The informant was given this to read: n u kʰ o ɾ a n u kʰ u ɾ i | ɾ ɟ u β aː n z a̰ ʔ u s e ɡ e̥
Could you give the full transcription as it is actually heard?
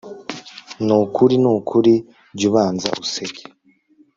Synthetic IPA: n u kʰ u ɾ i n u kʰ u ɾ i | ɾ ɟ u β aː n z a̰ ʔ u s e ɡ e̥

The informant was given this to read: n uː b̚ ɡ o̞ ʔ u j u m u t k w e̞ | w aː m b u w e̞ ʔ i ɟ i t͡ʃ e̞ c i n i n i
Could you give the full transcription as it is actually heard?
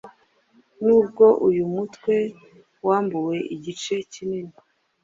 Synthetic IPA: n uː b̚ ɡ o̞ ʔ u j u m u t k w e̞ | w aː m b u w e̞ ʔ i ɟ i t͡ʃ e̞ c i n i n i

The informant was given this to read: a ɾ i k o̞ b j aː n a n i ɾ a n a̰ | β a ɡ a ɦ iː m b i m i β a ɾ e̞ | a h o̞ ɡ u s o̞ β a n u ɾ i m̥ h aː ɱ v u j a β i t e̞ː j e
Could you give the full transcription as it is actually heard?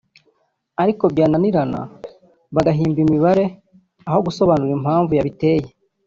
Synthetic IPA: a ɾ i k o̞ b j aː n a n i ɾ a n a̰ | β a ɡ a ɦ iː m b i m i β a ɾ e̞ | a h o̞ ɡ u s o̞ β a n u ɾ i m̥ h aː ɱ v u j a β i t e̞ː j e

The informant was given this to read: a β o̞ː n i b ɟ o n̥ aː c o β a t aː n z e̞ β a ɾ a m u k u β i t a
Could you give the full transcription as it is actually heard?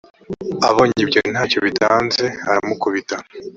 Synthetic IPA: a β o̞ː ɲ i b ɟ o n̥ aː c o β i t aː n z e̞ a ɾ a m u k u β i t a

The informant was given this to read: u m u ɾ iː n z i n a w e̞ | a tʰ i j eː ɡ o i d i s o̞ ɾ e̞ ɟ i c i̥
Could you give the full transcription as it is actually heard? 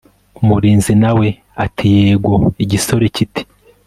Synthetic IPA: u m u ɾ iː n z i n a w e̞ | a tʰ i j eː ɡ o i ɟ i s o̞ ɾ e̞ c i t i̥

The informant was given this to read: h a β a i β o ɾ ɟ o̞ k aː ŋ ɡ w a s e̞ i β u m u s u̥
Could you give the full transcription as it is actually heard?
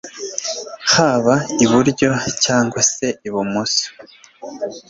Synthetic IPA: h a β a i β u ɾ ɟ o̞ c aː ŋ ɡ w a s e̞ i β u m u s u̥

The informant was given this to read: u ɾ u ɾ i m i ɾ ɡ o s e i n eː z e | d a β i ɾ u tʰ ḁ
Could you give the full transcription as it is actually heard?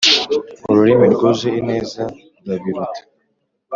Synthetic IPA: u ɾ u ɾ i m i ɾ ɡ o z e i n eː z a | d a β i ɾ u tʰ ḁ

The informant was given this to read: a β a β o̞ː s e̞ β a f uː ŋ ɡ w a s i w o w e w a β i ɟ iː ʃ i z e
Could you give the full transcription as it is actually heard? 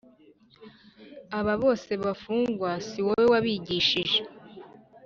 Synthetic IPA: a β a β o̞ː s e̞ β a f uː ŋ ɡ w a s i w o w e w a β i ɟ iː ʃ i ʒ e

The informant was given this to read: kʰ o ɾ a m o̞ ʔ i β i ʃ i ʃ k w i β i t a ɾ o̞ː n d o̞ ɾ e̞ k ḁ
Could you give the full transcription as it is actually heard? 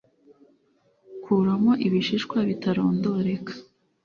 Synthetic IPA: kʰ u ɾ a m o̞ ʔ i β i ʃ i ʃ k w a β i t a ɾ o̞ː n d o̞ ɾ e̞ k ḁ

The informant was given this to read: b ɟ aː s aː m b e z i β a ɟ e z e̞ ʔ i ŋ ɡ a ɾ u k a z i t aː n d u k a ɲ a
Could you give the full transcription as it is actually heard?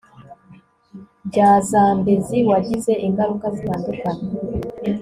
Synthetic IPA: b ɟ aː z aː m b e z i w a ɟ i z e̞ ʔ i ŋ ɡ a ɾ u k a z i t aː n d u k a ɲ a

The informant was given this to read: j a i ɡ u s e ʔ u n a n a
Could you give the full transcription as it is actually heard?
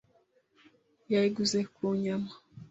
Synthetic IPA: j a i ɡ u z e k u ɲ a m a

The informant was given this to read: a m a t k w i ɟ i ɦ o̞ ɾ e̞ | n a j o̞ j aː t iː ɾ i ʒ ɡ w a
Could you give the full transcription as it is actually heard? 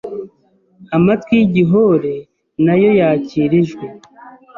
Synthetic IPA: a m a t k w i ɟ i ɦ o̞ ɾ e̞ | n a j o̞ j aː c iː ɾ i ʒ ɡ w e

